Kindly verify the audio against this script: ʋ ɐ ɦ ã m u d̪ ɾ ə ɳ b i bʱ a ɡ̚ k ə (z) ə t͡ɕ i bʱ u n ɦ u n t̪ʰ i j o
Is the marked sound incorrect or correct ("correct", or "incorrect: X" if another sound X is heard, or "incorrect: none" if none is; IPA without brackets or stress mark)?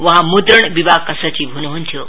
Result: incorrect: s